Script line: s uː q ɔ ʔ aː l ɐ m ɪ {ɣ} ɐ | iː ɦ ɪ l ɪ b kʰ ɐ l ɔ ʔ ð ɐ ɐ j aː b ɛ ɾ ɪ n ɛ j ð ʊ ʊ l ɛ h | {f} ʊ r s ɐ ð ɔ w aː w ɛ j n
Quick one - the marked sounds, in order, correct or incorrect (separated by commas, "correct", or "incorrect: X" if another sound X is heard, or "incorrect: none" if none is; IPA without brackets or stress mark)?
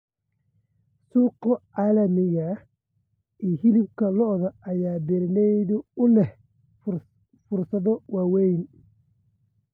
correct, correct